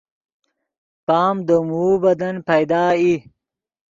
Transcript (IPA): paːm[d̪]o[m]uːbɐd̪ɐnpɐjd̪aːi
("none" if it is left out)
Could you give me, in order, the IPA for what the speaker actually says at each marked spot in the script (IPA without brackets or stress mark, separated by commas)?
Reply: d̪, m